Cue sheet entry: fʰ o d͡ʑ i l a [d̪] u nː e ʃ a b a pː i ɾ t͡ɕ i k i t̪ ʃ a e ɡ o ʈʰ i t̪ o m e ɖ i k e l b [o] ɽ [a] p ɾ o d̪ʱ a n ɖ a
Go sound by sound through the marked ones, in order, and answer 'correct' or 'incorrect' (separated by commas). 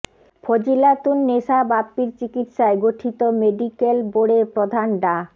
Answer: incorrect, correct, incorrect